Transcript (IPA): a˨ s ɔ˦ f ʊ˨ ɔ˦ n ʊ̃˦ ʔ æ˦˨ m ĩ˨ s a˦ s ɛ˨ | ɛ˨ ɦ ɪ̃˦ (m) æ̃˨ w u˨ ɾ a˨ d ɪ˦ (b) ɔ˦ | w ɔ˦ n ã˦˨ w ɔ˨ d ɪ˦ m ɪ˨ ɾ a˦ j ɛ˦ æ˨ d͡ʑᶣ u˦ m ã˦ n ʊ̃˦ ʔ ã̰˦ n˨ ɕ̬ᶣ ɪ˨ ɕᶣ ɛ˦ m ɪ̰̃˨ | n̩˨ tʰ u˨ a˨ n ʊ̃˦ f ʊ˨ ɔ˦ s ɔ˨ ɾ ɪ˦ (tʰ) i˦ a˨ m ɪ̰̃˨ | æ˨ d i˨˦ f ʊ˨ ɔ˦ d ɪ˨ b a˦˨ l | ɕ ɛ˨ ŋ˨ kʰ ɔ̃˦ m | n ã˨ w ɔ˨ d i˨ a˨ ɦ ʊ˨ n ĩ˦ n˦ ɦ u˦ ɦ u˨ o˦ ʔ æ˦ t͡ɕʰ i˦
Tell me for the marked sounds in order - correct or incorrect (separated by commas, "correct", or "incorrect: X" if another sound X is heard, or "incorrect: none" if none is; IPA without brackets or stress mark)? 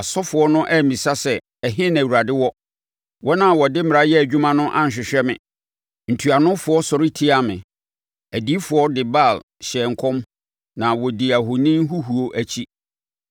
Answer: incorrect: n, incorrect: w, correct